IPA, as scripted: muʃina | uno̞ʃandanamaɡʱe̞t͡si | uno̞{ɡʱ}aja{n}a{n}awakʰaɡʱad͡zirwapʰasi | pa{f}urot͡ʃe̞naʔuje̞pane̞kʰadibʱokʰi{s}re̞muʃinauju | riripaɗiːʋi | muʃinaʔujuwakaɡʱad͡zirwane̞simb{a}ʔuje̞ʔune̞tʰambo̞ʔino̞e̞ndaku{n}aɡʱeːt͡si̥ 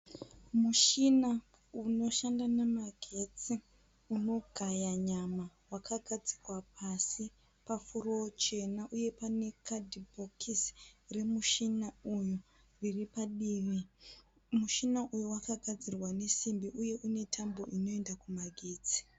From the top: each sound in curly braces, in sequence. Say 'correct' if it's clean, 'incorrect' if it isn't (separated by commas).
correct, incorrect, incorrect, correct, correct, incorrect, incorrect